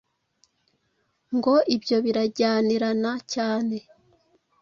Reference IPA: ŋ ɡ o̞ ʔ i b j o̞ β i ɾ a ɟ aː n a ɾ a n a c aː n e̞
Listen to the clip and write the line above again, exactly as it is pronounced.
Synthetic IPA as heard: ŋ ɡ o̞ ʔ i b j o̞ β i ɾ a ɟ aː n i ɾ a n a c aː n e̞